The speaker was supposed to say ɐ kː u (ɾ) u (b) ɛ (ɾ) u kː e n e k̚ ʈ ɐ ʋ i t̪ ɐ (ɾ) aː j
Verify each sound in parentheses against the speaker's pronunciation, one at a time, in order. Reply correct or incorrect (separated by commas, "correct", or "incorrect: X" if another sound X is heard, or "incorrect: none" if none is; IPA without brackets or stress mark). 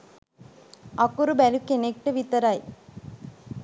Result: correct, correct, incorrect: l, correct